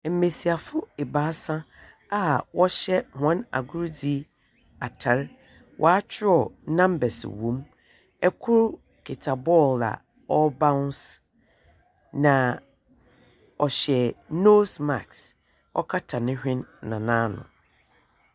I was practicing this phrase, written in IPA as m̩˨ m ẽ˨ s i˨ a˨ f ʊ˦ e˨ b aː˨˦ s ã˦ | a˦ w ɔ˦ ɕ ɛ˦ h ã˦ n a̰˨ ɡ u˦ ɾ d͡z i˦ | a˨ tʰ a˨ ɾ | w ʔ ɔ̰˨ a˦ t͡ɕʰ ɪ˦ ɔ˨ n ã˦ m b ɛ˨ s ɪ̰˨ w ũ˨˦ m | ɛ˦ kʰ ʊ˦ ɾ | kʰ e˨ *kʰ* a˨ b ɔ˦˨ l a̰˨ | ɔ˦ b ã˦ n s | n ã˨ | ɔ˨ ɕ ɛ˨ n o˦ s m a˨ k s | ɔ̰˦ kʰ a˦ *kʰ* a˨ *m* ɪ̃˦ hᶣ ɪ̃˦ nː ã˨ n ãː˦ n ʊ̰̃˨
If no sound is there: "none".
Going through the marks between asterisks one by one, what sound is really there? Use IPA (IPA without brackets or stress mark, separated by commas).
tʰ, tʰ, n